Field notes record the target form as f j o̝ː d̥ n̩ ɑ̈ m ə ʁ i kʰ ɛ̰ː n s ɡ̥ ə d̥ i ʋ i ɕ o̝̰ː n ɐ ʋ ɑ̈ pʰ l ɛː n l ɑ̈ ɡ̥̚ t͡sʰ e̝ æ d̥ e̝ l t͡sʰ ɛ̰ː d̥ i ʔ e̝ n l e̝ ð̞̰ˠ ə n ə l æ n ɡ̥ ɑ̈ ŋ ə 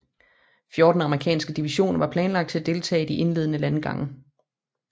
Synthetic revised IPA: f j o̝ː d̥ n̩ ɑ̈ m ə ʁ i kʰ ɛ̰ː n s ɡ̥ ə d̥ i ʋ i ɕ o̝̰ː n ɐ ʋ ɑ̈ pʰ l ɛː n l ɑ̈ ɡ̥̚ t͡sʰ e̝ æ d̥ e̝ l t͡sʰ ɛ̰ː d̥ i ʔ e̝ n l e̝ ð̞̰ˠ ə n ə l æ n ɡ̥ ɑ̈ ŋ ə